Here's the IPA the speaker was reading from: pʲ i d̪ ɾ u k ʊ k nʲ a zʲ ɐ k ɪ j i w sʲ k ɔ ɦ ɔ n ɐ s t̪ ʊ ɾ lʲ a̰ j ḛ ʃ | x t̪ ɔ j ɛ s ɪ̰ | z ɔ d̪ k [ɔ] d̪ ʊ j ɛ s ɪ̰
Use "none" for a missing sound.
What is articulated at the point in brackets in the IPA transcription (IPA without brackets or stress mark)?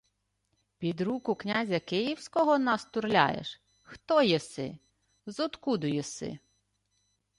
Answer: u